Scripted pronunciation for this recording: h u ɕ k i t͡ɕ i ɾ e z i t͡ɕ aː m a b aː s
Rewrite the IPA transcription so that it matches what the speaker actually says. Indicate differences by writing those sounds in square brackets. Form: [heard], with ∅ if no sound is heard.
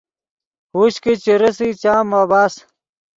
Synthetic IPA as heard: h u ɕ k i t͡ɕ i ɾ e [s] i t͡ɕ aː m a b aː s